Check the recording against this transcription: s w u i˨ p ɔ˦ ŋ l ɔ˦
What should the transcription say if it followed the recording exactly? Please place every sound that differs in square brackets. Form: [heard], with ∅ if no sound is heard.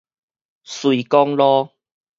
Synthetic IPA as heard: s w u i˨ [k] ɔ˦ ŋ l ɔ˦